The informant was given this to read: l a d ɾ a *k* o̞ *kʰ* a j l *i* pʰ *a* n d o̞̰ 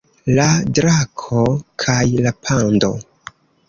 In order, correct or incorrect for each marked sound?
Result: incorrect, correct, incorrect, correct

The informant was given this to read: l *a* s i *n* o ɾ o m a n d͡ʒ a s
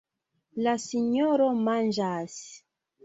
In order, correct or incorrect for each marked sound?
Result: correct, incorrect

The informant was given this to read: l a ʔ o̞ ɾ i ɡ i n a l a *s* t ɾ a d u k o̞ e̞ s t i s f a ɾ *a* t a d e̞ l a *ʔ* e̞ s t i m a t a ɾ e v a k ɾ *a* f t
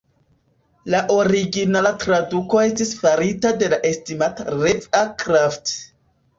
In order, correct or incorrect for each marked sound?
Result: incorrect, incorrect, correct, correct

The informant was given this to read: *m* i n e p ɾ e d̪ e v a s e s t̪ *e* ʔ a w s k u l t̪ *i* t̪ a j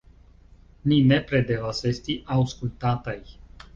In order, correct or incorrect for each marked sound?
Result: incorrect, incorrect, incorrect

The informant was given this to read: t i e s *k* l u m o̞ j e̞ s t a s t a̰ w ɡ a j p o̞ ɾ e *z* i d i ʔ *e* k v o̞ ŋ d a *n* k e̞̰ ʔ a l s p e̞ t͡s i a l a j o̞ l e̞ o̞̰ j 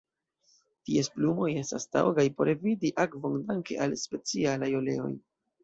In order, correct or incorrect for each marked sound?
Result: incorrect, incorrect, incorrect, incorrect

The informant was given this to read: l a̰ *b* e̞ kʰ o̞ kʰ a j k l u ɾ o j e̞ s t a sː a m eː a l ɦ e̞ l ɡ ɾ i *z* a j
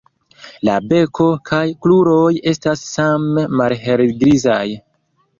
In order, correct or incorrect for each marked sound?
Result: correct, correct

